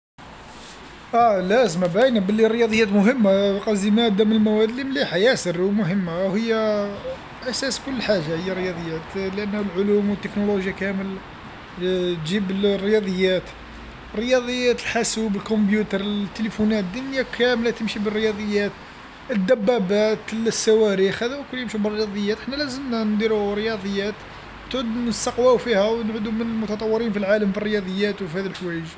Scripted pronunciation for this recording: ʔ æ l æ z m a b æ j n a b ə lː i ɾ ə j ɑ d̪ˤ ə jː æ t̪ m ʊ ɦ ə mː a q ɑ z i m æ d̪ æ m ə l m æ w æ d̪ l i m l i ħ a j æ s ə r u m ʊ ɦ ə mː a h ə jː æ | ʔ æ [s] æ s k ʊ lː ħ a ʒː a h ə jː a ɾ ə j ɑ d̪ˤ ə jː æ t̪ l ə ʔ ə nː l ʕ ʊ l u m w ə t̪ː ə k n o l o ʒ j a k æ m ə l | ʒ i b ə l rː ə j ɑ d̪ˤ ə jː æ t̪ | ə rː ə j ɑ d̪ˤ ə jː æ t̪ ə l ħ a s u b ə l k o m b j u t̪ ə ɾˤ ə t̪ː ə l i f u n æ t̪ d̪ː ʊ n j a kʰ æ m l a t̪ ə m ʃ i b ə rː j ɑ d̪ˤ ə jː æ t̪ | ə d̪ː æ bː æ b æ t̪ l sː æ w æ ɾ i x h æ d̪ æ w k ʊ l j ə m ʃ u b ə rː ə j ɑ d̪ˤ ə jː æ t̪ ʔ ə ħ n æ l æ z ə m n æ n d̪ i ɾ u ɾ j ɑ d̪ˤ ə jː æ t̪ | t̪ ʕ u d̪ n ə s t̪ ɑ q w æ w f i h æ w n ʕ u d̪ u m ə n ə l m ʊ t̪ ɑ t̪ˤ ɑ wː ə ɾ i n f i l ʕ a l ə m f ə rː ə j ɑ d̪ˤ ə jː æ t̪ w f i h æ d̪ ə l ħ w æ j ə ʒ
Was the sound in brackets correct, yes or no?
yes